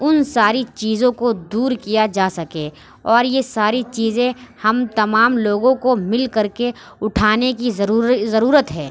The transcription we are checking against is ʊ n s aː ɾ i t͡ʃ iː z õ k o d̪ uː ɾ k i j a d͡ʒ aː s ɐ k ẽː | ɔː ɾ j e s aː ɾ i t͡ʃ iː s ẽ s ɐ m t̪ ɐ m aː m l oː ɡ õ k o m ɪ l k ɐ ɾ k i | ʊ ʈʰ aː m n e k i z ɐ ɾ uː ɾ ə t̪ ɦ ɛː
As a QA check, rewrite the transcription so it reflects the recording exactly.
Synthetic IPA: ʊ n s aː ɾ i t͡ʃ iː z õ k o d̪ uː ɾ k i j a d͡ʒ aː s ɐ k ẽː | ɔː ɾ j e s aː ɾ i t͡ʃ iː z ẽ h ɐ m t̪ ɐ m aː m l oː ɡ õ k o m ɪ l k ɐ ɾ k e | ʊ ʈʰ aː n e k i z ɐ ɾ uː ɾ ə t̪ ɦ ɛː